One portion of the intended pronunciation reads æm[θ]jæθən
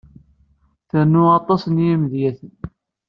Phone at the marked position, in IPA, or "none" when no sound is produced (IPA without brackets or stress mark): ð